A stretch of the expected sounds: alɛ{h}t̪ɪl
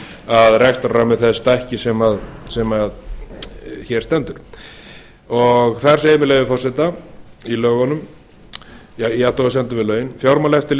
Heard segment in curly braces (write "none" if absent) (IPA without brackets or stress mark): f